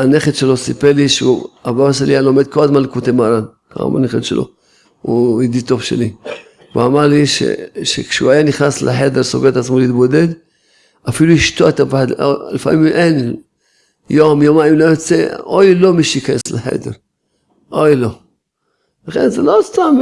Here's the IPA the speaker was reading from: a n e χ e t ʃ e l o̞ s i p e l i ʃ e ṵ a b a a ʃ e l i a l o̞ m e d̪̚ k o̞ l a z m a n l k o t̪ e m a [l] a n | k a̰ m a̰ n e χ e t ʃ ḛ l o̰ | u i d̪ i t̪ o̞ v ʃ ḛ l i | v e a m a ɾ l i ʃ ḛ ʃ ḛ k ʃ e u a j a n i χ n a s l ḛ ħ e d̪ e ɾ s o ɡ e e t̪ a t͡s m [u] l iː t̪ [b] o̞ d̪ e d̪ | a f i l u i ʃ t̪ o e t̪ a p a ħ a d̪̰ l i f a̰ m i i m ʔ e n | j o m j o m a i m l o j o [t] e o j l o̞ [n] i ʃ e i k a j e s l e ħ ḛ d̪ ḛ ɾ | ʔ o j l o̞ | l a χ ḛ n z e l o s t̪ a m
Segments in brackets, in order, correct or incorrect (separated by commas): incorrect, incorrect, correct, incorrect, incorrect